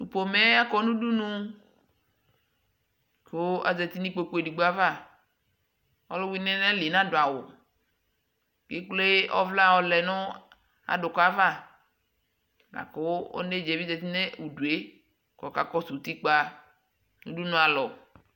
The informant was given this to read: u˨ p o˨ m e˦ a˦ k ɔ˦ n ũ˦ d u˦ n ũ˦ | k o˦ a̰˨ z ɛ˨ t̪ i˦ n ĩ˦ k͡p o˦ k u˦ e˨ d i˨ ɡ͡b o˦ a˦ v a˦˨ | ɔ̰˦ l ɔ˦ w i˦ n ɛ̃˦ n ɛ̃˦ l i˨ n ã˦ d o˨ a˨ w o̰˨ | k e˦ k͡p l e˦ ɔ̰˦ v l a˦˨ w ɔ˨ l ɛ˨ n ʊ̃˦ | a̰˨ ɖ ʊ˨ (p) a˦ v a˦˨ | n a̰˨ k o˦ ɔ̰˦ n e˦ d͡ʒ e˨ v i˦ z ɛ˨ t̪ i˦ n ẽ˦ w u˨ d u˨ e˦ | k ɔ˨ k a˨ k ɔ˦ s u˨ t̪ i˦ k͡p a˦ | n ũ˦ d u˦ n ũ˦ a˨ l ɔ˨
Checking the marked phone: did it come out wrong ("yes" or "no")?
yes